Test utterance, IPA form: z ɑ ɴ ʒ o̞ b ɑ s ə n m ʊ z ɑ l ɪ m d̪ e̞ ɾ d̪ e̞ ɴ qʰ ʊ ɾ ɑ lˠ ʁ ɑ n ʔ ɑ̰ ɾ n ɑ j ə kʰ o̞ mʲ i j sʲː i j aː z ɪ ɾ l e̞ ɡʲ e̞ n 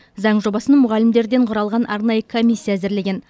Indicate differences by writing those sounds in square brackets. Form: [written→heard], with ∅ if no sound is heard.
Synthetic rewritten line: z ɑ ɴ ʒ o̞ b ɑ s ə n m ʊ [z→ʁ] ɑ l ɪ m d̪ e̞ ɾ d̪ e̞ ɴ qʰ ʊ ɾ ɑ lˠ ʁ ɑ n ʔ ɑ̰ ɾ n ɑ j ə kʰ o̞ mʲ i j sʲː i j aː z ɪ ɾ l e̞ ɡʲ e̞ n